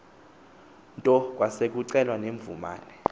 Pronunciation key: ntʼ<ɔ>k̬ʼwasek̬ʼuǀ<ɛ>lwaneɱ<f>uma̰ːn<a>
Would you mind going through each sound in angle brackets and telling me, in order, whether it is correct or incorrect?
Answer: correct, correct, incorrect: v, incorrect: ɛ

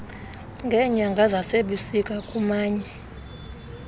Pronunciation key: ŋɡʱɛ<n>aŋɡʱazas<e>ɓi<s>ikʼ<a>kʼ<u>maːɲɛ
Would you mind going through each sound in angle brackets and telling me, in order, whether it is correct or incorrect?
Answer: incorrect: ɲ, correct, correct, correct, correct

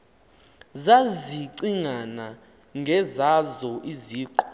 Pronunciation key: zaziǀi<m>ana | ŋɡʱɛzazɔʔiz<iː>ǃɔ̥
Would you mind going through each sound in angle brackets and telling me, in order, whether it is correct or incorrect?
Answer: incorrect: ŋ, correct

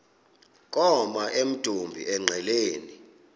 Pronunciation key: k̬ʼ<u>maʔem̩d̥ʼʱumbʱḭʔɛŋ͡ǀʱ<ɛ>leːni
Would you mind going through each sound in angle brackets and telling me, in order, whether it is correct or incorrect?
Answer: incorrect: ɔ, correct

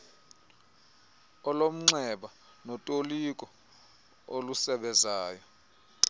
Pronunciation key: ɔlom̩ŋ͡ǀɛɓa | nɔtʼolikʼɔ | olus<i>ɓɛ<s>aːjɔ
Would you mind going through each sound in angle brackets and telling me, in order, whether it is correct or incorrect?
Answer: incorrect: ɛ, incorrect: z

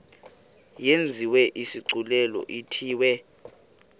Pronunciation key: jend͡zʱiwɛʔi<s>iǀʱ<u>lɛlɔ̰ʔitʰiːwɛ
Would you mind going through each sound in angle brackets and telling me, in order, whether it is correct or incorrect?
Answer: correct, correct

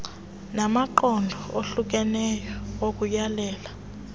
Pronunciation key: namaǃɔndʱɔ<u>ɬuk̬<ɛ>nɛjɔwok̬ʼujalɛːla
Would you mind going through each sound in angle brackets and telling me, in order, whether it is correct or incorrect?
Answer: incorrect: o, correct

